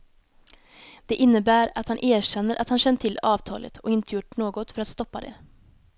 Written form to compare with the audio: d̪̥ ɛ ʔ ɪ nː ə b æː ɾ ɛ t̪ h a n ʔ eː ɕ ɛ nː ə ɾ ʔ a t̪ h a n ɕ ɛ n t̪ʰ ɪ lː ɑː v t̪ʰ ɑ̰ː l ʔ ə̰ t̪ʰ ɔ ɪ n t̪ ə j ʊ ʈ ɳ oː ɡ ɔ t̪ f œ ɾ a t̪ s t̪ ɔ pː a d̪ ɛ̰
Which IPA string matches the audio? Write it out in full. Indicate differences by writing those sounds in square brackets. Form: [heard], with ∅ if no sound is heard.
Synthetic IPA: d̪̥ ɛ ʔ ɪ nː ə b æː ɾ [a] t̪ h a n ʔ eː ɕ ɛ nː ə ɾ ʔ a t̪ h a n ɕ ɛ n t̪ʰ ɪ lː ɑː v t̪ʰ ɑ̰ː l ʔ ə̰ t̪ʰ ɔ ɪ n t̪ ə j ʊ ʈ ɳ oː ɡ ɔ t̪ f œ ɾ a t̪ s t̪ ɔ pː a d̪ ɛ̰